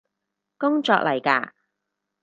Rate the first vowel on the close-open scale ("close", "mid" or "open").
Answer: close